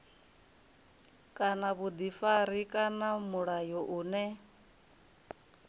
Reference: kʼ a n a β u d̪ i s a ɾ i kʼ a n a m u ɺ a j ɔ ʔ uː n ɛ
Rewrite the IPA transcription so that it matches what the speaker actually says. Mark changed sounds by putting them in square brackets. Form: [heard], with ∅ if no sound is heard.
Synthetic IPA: kʼ a n a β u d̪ i [f] a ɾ i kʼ a n a m u ɺ a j ɔ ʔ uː n ɛ